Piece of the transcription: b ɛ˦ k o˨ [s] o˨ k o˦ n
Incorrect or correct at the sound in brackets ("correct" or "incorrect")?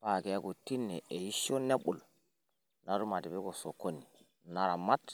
correct